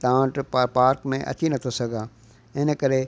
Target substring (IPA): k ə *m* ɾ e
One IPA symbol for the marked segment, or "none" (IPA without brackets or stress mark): none